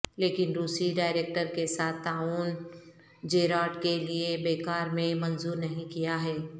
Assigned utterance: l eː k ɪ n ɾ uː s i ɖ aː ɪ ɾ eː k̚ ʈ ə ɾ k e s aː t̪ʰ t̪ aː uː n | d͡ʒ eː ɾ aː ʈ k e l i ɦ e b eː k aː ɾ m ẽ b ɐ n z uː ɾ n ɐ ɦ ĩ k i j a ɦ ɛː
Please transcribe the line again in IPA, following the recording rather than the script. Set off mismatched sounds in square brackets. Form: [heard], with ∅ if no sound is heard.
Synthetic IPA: l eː k ɪ n ɾ uː s i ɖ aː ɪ ɾ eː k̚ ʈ ə ɾ k e s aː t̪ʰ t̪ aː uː n | d͡ʒ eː ɾ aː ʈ k e l i [∅] e b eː k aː ɾ m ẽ [m] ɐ n z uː ɾ n ɐ ɦ ĩ k i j a ɦ ɛː